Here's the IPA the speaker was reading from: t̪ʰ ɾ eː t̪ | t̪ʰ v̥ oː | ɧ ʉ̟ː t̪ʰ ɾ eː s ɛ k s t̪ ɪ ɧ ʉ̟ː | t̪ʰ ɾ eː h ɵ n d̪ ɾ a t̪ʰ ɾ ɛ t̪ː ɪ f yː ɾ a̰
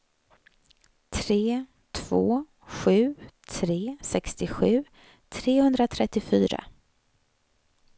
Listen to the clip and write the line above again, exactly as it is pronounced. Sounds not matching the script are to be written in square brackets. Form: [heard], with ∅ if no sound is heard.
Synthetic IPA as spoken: t̪ʰ ɾ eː [∅] | t̪ʰ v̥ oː | ɧ ʉ̟ː t̪ʰ ɾ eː s ɛ k s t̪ ɪ ɧ ʉ̟ː | t̪ʰ ɾ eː h ɵ n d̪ ɾ a t̪ʰ ɾ ɛ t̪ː ɪ f yː ɾ a̰